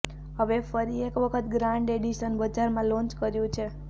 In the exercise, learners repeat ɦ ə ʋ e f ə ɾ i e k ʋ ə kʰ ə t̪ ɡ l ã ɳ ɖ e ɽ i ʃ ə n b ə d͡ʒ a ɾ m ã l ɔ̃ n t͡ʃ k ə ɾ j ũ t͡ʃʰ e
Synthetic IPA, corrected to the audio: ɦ ə ʋ e f ə ɾ i e k ʋ ə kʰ ə t̪ ɡ ɾ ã ɳ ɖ e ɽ i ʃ ə n b ə d͡ʒ a ɾ m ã l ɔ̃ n t͡ʃ k ə ɾ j ũ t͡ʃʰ e